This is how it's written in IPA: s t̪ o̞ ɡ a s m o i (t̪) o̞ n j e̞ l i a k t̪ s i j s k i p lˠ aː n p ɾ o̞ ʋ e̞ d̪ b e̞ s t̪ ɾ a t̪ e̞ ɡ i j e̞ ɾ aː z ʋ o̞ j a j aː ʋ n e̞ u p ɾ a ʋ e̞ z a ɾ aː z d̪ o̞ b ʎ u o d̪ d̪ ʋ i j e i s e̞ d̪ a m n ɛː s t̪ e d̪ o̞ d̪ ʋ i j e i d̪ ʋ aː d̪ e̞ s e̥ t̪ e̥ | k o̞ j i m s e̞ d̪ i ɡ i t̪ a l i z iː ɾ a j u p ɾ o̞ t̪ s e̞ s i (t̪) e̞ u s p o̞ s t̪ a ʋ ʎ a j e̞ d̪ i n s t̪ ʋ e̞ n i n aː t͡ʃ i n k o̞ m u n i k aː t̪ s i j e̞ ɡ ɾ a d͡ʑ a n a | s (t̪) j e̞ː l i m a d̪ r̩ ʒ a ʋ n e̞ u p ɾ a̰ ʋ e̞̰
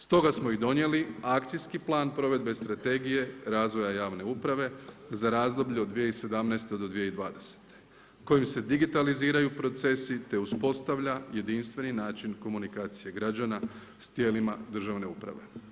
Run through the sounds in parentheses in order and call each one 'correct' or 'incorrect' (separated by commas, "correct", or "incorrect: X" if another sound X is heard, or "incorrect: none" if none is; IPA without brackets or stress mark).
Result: incorrect: d̪, correct, correct